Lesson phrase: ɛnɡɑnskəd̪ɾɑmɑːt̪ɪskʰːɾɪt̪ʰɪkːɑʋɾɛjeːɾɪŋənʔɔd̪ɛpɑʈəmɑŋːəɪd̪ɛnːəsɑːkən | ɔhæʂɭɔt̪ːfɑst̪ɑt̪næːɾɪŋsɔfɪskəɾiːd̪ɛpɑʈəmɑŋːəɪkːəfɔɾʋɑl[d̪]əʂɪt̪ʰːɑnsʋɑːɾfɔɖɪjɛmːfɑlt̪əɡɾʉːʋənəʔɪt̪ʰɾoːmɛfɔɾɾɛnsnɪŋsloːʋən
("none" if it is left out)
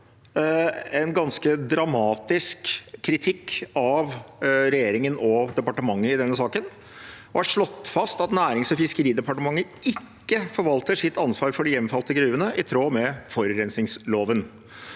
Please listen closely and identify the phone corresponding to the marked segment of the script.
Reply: t̪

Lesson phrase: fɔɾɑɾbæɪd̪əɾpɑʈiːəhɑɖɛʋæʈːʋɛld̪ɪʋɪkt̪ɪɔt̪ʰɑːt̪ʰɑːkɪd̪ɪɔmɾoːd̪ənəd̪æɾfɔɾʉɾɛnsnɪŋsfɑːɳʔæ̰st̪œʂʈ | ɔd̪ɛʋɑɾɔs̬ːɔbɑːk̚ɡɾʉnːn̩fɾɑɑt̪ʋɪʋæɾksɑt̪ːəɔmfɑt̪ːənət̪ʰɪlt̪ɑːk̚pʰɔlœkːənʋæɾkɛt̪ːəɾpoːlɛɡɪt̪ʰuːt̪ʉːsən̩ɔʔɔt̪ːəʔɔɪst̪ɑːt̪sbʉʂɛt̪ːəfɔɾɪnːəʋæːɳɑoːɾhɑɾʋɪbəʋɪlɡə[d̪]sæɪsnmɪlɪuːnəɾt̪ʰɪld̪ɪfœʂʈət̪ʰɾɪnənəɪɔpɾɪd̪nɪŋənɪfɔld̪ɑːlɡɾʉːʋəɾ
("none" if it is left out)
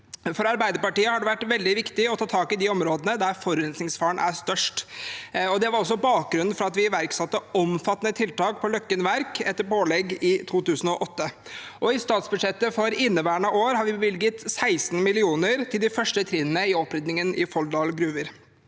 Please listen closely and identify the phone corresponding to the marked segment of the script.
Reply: t̪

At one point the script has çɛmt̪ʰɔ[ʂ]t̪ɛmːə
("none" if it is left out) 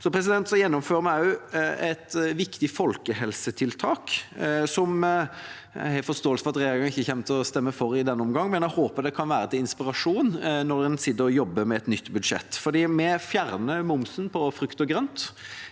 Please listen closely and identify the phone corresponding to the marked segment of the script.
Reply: s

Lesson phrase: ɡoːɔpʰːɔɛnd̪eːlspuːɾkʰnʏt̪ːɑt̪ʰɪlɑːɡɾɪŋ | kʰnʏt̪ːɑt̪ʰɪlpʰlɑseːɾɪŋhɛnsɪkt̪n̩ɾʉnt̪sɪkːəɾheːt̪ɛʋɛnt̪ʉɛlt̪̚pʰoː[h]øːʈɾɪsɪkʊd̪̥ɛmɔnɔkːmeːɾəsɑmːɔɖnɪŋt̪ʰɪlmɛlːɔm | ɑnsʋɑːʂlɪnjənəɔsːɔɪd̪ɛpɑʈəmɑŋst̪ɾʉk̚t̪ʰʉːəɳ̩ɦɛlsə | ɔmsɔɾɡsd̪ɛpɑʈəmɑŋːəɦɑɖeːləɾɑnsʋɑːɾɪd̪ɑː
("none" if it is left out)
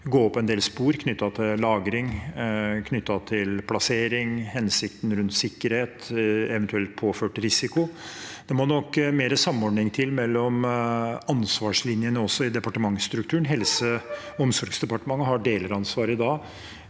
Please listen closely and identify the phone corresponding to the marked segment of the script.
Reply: f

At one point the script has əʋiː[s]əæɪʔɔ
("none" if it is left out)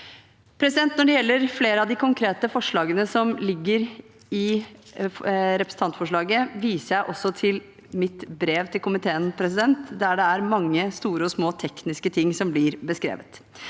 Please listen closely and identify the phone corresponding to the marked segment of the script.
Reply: s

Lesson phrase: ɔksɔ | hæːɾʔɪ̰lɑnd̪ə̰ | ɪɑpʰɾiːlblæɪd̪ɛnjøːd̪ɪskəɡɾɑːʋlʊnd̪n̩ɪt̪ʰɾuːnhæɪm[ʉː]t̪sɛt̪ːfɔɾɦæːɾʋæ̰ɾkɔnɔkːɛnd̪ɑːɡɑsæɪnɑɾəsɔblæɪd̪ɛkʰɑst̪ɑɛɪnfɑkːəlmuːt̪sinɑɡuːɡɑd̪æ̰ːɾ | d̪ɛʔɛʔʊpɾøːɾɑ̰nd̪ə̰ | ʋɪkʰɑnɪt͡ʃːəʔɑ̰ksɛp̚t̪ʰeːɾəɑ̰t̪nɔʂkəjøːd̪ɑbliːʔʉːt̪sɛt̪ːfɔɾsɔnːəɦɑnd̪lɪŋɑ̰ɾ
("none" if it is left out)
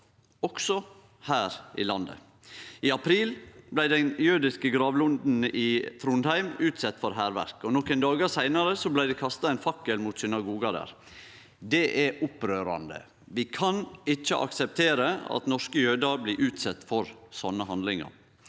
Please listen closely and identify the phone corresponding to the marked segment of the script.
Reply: ʉː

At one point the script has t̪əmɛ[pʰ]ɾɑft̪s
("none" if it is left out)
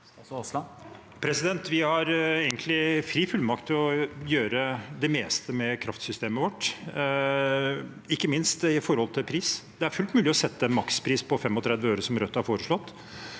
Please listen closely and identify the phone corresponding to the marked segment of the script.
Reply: kʰ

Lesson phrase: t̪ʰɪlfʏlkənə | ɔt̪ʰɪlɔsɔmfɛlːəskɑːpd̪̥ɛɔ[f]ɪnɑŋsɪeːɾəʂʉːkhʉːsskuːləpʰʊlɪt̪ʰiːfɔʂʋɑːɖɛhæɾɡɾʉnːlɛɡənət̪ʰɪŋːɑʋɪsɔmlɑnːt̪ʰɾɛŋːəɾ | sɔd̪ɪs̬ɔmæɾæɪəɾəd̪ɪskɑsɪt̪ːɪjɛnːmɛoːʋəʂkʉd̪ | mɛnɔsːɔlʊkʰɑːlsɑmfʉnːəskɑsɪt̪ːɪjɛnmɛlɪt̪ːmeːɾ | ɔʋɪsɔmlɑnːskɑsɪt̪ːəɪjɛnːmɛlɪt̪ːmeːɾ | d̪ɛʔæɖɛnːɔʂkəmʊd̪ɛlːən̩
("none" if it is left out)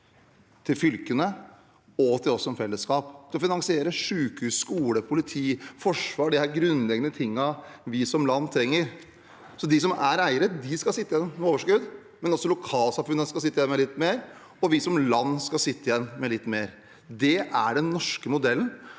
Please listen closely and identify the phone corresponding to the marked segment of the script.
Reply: f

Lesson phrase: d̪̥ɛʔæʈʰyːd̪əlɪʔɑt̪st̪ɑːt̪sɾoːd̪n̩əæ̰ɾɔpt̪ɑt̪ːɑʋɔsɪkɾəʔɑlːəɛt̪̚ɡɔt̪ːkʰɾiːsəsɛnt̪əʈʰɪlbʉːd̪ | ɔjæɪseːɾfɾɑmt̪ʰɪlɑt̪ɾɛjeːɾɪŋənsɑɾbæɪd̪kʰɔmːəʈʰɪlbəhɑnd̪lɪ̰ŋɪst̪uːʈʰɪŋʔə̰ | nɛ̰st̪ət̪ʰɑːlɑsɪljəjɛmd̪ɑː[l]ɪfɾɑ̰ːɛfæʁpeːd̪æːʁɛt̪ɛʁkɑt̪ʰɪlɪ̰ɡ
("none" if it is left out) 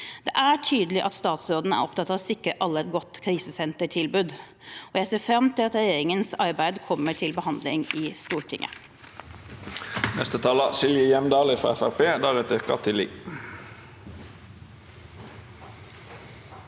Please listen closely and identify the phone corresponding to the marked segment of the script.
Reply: l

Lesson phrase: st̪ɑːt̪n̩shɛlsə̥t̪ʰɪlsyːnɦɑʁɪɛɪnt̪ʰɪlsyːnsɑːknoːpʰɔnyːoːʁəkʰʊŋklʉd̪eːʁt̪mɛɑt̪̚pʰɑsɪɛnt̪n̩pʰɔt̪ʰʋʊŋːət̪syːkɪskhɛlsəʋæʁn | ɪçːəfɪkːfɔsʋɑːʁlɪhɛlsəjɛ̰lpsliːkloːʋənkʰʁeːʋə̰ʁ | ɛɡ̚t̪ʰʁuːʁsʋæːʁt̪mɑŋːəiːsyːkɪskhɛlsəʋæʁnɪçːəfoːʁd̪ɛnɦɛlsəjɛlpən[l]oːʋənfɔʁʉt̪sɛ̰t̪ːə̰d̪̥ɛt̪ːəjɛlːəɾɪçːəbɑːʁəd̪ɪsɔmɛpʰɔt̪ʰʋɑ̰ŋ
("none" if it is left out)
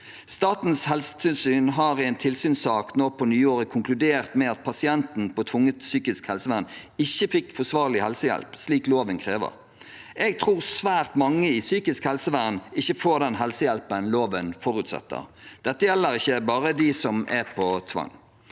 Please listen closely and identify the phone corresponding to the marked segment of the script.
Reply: l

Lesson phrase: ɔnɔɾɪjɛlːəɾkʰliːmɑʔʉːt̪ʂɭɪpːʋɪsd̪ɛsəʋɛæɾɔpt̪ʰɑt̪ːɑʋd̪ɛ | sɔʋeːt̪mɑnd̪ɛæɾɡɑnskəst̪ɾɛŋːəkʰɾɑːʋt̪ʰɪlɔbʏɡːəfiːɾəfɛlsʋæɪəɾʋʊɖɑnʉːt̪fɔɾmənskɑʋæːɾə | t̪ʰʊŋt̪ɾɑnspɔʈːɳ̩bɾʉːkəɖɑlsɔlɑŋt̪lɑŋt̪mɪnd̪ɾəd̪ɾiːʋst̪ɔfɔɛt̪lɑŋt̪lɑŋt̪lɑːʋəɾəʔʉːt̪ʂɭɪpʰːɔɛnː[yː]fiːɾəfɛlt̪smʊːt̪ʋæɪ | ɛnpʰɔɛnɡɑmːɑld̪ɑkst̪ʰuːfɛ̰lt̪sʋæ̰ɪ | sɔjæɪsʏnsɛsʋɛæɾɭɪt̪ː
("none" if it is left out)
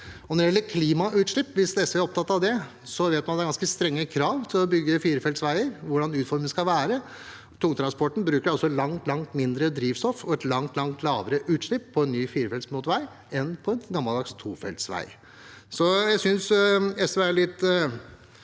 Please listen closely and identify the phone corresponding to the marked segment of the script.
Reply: yː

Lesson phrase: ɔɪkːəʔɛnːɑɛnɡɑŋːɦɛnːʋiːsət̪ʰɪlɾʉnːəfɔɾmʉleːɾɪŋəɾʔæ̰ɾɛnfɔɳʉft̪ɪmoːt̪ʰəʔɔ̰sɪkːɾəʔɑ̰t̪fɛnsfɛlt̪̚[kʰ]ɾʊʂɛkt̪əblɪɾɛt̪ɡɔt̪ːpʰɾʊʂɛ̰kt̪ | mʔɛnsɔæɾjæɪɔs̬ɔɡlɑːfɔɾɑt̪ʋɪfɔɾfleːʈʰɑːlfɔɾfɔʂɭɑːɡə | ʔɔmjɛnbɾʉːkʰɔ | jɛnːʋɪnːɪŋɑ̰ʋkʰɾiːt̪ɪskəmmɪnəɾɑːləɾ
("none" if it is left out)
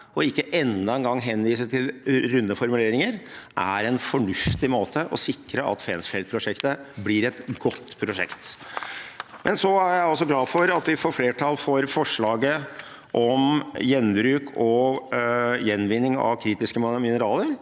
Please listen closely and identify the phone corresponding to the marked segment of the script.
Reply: pʰ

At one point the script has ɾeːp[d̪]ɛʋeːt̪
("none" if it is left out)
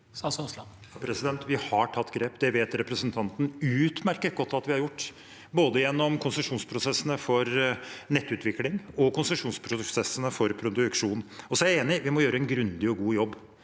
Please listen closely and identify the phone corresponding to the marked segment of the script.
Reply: d̪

